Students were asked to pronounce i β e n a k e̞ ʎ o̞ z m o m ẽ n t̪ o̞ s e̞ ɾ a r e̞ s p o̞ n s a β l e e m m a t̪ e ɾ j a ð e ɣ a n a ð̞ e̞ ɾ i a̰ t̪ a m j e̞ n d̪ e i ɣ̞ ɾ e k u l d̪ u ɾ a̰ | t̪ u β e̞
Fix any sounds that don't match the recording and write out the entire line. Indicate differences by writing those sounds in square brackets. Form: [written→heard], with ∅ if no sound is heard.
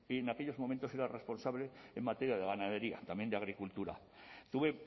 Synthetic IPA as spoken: i [β→∅] e n a k e̞ ʎ o̞ z m o m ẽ n t̪ o̞ s e̞ ɾ a r e̞ s p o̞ n s a β l e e m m a t̪ e ɾ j a ð e ɣ a n a ð̞ e̞ ɾ i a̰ t̪ a m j e̞ n d̪ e [i→a] ɣ̞ ɾ [e→i] k u l [d̪→t̪] u ɾ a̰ | t̪ u β e̞